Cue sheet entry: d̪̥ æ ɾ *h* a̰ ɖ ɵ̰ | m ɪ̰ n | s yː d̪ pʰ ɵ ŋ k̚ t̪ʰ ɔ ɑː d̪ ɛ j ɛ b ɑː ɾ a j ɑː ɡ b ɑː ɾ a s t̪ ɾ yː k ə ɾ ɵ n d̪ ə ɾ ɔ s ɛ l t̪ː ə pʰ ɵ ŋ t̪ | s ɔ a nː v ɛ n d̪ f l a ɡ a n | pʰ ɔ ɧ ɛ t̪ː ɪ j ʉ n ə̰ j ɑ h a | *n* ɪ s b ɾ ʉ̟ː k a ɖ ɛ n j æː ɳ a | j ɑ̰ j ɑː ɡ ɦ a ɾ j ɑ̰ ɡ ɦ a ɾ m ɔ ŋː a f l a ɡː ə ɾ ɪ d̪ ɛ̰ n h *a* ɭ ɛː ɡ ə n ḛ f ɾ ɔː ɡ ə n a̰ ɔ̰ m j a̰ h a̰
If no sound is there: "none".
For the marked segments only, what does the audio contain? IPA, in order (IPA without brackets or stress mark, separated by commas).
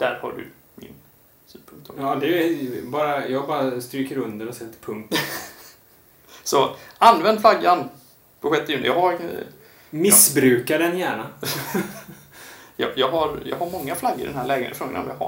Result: h, m, æ